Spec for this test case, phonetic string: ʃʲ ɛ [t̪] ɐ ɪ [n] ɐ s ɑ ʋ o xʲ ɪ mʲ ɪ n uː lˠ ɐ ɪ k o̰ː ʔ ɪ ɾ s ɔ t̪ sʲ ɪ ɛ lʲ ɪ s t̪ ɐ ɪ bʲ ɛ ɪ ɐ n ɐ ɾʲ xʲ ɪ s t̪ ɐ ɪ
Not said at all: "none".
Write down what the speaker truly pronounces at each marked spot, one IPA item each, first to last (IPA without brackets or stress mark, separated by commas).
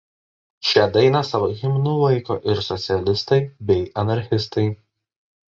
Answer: d̪, n